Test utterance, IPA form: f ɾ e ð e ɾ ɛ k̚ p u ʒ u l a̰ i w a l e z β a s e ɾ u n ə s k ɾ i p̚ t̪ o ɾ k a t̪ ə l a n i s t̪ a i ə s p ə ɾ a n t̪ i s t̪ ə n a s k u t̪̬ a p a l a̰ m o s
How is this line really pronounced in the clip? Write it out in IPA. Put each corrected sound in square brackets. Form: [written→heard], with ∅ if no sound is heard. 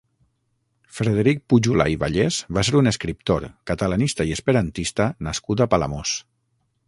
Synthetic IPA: f ɾ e ð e ɾ [ɛ→i] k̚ p u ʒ u l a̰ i [w→β] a [l→ʎ] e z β a s e ɾ u n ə s k ɾ i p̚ t̪ o ɾ k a t̪ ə l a n i s t̪ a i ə s p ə ɾ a n t̪ i s t̪ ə n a s k u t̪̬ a p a l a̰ m o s